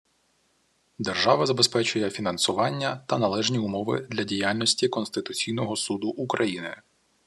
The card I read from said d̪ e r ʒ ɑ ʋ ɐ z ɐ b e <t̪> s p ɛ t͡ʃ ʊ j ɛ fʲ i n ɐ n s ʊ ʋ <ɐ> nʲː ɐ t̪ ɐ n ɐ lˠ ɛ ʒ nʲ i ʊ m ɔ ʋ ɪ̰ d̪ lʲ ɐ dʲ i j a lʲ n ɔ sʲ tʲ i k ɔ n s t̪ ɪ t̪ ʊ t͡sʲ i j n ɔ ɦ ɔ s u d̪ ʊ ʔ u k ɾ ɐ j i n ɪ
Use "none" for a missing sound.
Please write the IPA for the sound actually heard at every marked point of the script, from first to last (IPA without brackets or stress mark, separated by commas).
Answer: none, ɑ